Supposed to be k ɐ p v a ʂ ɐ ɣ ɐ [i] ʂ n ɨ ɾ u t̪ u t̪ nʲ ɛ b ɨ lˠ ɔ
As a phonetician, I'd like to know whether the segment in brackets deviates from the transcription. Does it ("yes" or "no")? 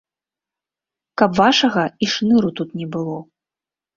no